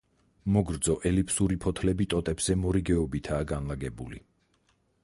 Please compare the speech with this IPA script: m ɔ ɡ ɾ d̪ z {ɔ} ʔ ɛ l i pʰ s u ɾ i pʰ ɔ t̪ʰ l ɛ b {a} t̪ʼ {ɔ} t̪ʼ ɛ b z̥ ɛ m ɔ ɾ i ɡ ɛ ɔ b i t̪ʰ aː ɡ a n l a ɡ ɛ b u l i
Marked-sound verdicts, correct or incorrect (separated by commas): correct, incorrect, correct